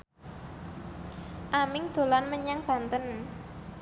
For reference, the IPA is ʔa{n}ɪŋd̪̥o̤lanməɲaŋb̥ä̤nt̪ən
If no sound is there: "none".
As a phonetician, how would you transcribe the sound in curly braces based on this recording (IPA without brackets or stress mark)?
m